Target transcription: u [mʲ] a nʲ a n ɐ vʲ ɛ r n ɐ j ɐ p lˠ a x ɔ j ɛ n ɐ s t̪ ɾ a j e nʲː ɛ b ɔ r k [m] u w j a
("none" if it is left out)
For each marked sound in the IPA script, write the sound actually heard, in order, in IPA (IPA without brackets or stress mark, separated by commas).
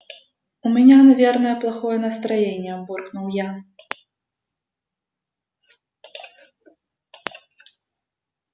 mʲ, n